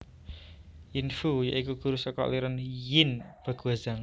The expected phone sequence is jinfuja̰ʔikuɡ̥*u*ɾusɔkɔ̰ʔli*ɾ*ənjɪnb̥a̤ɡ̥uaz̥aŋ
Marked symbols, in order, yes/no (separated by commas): yes, yes